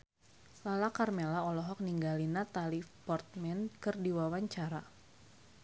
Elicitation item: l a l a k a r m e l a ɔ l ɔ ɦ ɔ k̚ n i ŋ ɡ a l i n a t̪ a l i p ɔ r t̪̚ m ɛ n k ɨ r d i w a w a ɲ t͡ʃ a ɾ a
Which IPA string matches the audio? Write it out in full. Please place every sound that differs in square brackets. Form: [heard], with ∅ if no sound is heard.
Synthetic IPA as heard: l a l a k a r m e l a ɔ l ɔ ɦ ɔ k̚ n i ŋ ɡ a l i n a t̪ a l i p ɔ r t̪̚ m ɛ n k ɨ r d i w a w a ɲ t͡ʃ a ɾ a